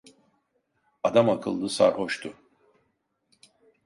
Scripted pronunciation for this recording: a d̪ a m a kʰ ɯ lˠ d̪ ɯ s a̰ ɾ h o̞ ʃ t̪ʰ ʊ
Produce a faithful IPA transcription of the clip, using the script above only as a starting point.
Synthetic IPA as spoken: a d̪ a m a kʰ ɯ lˠ d̪ ɯ s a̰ ɾ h o̞ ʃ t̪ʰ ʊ